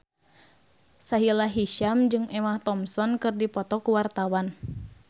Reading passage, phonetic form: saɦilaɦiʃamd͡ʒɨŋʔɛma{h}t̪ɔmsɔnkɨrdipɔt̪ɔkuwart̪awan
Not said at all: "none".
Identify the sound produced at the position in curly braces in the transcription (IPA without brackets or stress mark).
h